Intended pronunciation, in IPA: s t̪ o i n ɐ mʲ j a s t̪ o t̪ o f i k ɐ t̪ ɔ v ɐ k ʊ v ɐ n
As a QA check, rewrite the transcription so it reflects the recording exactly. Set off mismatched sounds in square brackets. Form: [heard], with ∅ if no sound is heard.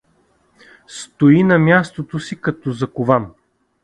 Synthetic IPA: s t̪ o i n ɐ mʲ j a s t̪ o t̪ o [s] i k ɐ t̪ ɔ [z] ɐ k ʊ v [a] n